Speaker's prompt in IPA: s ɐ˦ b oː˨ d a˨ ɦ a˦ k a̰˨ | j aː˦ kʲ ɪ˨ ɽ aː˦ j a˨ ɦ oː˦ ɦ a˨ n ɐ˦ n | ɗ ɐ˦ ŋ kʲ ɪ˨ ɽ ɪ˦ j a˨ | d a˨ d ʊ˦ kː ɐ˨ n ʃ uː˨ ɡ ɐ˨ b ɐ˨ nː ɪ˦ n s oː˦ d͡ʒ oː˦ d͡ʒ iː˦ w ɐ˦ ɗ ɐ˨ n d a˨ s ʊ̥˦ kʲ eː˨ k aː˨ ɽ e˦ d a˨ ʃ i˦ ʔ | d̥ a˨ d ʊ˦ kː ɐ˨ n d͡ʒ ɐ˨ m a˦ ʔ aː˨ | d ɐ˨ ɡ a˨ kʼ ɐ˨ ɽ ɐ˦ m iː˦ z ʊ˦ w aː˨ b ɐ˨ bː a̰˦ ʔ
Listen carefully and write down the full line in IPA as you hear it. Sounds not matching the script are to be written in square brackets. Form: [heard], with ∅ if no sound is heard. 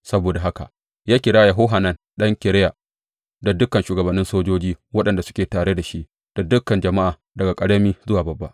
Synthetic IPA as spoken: s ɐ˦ b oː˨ d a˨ ɦ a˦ k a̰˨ | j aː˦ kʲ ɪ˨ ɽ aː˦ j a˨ ɦ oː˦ ɦ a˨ n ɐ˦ n | ɗ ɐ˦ ŋ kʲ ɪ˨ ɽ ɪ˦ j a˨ | d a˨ d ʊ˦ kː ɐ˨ n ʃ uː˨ ɡ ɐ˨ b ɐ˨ nː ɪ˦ n s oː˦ d͡ʒ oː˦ d͡ʒ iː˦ w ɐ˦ ɗ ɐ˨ n d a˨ s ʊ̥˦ kʲ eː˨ [t] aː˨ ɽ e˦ d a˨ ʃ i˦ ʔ | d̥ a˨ d ʊ˦ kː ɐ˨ n d͡ʒ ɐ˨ m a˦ ʔ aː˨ | d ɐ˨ ɡ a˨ kʼ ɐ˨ ɽ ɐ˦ m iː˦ z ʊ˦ w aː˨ b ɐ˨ bː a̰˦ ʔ

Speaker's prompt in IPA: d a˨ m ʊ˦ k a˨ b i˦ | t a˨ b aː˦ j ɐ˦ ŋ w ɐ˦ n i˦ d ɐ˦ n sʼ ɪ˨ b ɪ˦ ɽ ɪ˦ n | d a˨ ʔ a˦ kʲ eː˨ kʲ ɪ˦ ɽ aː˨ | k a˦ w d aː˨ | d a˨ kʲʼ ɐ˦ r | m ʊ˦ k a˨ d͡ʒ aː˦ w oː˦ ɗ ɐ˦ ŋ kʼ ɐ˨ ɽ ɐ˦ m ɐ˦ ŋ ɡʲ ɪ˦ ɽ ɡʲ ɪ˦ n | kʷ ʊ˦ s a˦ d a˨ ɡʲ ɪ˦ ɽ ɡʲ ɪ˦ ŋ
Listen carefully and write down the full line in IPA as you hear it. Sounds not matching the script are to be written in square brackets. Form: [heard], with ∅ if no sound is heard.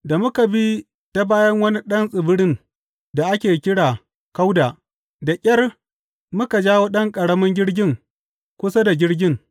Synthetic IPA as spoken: d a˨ m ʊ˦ k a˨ b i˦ | t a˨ b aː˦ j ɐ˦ ŋ w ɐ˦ n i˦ [ɗ] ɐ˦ n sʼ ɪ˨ b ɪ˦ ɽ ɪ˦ n | d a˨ ʔ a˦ kʲ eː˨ kʲ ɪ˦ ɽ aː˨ | k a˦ w d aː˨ | d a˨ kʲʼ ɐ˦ r | m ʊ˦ k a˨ d͡ʒ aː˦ w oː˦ ɗ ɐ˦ ŋ kʼ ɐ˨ ɽ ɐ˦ m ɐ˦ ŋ ɡʲ ɪ˦ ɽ ɡʲ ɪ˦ [ŋ] | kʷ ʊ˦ s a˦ d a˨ ɡʲ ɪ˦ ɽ ɡʲ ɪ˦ ŋ

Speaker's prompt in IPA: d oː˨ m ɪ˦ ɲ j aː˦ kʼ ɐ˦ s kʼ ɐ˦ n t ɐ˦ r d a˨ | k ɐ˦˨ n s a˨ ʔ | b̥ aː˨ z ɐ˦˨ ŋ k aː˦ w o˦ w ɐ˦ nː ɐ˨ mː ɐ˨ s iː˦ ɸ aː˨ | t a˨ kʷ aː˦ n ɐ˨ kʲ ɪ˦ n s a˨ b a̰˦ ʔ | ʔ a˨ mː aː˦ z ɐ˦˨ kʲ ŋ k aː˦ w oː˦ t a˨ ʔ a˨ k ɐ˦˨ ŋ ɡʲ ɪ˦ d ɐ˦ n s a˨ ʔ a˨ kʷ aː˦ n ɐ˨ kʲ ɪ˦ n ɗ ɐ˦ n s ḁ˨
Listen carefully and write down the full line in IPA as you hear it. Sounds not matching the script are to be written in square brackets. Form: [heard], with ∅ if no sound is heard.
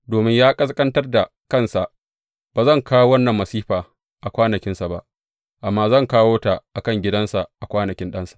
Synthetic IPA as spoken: d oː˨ m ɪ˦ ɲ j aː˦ kʼ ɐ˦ s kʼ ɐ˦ n t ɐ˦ r d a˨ | k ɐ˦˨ n s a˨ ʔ | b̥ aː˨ z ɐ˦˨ ŋ k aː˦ w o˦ w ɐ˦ nː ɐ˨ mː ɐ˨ s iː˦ ɸ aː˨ | [ʔ] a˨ kʷ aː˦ n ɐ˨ kʲ ɪ˦ n s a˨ b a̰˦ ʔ | ʔ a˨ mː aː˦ z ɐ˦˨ [∅] ŋ k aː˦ w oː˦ t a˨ ʔ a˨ k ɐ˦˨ ŋ ɡʲ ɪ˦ d ɐ˦ n s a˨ ʔ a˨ kʷ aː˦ n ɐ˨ kʲ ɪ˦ n ɗ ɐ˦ n s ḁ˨

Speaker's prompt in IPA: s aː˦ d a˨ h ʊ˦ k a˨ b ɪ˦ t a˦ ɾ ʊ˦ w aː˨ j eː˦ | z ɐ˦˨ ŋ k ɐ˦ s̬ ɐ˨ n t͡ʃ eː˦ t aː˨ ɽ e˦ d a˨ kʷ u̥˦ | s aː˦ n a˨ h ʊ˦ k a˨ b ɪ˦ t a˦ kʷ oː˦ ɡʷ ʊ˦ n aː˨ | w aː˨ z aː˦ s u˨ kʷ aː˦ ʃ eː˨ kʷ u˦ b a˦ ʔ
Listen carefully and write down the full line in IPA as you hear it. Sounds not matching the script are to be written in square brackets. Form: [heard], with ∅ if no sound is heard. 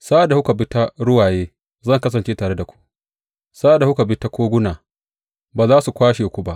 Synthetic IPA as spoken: s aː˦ d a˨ h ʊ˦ k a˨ b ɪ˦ t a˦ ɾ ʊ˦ w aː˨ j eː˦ | z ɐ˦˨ ŋ k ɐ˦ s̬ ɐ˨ n t͡ʃ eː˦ t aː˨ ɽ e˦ d a˨ kʷ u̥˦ | s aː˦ [d] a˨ h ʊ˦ k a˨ b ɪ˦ t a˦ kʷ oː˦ ɡʷ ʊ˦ n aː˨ | [b] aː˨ z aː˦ s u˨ kʷ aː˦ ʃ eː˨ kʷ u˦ b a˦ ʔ

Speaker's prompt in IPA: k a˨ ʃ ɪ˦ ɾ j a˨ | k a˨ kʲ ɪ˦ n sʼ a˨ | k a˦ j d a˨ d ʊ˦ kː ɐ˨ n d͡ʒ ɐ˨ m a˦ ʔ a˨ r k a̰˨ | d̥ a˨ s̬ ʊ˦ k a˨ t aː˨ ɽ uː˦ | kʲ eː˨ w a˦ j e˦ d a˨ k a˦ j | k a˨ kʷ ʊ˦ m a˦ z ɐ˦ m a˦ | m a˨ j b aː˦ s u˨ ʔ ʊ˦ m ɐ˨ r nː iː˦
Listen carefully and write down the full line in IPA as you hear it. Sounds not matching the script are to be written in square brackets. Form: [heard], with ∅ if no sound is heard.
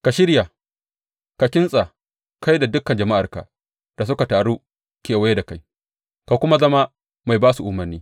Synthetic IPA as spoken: k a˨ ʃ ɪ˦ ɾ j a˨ | k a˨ kʲ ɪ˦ n sʼ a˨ | k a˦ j d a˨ d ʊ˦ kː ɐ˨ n d͡ʒ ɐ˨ m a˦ ʔ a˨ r k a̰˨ | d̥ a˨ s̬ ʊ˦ k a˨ t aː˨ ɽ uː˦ | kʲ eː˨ w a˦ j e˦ d a˨ k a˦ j | k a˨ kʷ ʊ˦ m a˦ z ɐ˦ m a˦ | m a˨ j b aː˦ s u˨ ʔ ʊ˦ m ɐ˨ r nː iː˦

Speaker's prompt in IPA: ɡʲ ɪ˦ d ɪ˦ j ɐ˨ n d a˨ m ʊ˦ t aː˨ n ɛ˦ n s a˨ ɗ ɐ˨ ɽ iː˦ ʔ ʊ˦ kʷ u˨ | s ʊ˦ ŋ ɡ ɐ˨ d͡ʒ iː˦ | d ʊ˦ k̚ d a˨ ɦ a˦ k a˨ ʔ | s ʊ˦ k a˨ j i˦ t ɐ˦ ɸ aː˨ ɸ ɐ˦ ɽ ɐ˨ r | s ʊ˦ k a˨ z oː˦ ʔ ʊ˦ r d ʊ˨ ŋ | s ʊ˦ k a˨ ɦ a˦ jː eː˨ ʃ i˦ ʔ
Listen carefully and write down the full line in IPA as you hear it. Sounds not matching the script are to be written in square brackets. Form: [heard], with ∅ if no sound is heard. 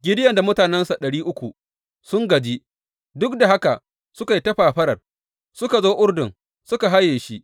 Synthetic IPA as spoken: ɡʲ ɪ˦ d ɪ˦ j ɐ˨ n d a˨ m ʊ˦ t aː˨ n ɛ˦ n s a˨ ɗ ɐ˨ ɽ iː˦ ʔ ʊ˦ kʷ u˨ | s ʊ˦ ŋ ɡ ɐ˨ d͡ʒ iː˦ | d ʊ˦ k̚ d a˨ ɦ a˦ k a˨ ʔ | s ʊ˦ k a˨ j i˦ t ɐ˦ ɸ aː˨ ɸ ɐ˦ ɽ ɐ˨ r | s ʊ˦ k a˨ z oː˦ ʔ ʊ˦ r d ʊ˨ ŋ | s ʊ˦ k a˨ ɦ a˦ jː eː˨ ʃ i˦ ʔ

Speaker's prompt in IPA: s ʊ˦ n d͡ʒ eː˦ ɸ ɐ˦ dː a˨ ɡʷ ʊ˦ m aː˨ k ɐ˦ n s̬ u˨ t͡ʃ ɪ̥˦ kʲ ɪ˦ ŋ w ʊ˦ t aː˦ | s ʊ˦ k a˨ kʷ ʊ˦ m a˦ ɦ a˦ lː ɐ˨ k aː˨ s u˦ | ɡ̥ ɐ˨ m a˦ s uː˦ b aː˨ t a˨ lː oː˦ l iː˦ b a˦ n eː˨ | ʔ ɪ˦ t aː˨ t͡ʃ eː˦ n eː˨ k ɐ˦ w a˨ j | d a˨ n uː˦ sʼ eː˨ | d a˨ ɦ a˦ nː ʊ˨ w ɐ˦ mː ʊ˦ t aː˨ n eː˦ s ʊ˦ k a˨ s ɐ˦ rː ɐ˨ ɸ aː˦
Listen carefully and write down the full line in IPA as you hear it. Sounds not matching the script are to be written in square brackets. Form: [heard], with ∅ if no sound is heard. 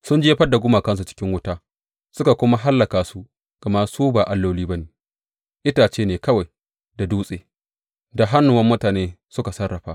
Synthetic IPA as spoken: s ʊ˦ n d͡ʒ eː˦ ɸ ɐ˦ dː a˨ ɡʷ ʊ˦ m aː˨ k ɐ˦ n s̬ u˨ t͡ʃ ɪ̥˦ kʲ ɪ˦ ŋ w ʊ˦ t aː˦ | s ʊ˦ k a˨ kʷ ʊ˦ m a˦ ɦ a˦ lː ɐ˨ k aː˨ s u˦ | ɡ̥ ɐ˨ m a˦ s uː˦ b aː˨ [ʔ] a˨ lː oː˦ l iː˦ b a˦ n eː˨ | ʔ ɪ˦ t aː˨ t͡ʃ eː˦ n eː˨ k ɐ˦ w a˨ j | d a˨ [d] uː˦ sʼ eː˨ | d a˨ ɦ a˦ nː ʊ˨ w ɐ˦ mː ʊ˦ t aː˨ n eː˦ s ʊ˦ k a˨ s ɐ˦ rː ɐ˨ ɸ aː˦

